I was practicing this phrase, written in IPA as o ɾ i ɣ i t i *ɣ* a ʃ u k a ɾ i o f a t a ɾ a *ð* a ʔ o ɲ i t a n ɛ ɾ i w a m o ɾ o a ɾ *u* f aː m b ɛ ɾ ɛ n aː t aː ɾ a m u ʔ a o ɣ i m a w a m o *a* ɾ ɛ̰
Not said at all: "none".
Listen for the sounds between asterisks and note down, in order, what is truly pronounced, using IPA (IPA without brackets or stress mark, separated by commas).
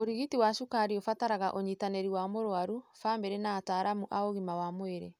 w, ɣ, u, e